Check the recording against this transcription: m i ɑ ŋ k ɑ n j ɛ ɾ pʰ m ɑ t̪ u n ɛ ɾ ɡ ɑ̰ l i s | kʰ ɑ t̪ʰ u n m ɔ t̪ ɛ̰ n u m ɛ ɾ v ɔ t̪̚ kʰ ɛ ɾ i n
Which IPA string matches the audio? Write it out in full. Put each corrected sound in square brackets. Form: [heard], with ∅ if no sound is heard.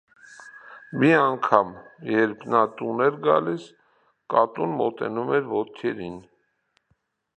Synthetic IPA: m i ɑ ŋ [kʰ] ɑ [m] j ɛ ɾ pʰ [n] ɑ t̪ u n ɛ ɾ ɡ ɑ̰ l i s | [k] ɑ [t̪] u n m ɔ t̪ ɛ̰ n u m ɛ ɾ v ɔ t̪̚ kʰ ɛ ɾ i n